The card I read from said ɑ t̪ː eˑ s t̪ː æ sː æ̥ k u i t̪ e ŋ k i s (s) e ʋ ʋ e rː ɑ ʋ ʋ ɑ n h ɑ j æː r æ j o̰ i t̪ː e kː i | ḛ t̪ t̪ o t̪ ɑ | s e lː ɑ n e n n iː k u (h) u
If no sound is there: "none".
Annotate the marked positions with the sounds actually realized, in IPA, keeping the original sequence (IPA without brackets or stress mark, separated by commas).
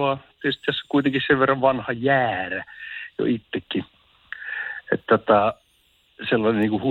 s, h